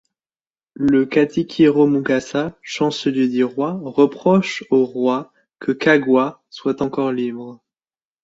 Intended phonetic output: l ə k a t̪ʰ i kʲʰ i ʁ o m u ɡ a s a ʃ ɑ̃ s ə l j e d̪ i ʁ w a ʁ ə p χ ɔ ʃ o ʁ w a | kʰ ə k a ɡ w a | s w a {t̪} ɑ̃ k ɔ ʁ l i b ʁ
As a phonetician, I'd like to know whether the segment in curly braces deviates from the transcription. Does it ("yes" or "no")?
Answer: no